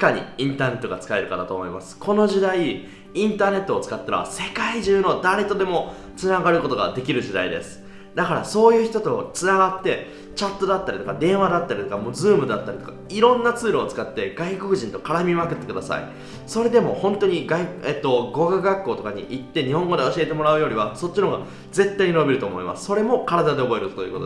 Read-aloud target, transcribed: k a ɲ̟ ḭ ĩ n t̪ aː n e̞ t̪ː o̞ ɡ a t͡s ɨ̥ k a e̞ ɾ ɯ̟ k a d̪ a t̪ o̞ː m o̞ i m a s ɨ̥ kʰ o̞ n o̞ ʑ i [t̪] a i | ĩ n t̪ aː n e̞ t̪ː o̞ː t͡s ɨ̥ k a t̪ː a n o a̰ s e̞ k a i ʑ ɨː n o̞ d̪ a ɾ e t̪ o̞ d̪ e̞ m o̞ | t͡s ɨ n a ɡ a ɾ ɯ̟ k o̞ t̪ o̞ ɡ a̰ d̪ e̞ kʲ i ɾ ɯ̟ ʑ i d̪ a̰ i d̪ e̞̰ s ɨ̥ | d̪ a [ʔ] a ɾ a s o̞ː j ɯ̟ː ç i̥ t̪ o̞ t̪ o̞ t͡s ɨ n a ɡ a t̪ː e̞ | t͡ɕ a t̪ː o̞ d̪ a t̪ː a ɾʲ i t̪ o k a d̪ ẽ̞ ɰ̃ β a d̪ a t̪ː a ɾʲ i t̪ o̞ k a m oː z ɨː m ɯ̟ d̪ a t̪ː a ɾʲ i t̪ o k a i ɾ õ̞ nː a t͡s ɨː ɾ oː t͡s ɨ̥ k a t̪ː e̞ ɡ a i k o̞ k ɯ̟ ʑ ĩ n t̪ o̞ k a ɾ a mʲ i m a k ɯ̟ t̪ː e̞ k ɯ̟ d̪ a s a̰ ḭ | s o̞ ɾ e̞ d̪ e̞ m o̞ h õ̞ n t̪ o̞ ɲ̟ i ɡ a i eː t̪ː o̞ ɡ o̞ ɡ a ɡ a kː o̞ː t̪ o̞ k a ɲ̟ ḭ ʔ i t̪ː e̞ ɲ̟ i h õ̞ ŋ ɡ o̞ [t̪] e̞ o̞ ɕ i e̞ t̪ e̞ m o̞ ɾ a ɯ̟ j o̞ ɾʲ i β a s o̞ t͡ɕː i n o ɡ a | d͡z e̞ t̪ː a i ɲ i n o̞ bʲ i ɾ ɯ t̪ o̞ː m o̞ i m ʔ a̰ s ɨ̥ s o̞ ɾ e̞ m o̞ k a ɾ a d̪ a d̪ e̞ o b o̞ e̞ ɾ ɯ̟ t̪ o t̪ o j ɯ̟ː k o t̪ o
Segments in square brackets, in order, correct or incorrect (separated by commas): incorrect, incorrect, incorrect